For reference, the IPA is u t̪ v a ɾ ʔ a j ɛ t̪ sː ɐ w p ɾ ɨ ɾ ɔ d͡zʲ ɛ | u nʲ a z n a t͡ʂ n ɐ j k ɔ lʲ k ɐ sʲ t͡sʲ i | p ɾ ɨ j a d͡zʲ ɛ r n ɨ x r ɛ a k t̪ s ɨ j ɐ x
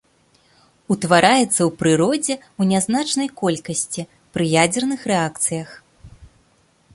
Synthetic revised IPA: u t̪ v a ɾ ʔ a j ɛ t̪ sː ɐ w p ɾ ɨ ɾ ɔ d͡zʲ ɛ | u nʲ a z n a t͡ʂ n ɐ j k ɔ lʲ k ɐ sʲ t͡sʲ i | p ɾ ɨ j a d͡zʲ ɛ r n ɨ x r ɛ a k t̪ s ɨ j ɐ x